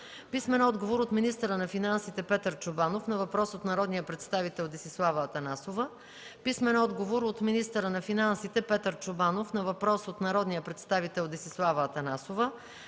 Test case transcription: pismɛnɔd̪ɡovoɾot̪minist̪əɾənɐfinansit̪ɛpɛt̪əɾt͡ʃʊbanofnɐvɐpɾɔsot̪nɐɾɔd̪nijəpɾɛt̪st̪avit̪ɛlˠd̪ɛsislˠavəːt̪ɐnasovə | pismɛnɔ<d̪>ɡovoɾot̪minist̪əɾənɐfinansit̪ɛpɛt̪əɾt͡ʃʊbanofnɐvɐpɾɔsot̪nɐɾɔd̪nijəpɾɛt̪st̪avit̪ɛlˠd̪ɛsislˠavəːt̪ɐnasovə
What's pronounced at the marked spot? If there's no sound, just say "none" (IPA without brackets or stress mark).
d̪